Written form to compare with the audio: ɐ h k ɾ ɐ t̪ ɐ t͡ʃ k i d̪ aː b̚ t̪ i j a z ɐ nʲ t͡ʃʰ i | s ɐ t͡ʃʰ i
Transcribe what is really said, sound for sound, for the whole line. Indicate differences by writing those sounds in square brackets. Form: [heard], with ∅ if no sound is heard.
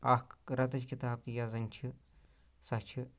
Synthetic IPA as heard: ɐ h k ɾ ɐ t̪ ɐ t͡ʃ k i [t̪] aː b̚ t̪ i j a z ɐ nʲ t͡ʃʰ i | s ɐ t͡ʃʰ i